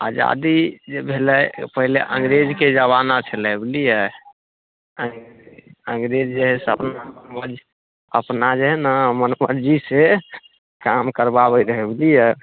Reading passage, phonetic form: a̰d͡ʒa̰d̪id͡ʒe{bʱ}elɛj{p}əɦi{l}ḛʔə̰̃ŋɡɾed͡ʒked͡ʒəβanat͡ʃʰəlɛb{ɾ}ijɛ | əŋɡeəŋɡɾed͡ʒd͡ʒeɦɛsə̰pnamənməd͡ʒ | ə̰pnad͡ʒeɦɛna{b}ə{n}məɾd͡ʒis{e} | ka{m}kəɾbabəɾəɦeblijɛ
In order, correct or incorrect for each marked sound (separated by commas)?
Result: correct, correct, correct, incorrect, incorrect, correct, correct, correct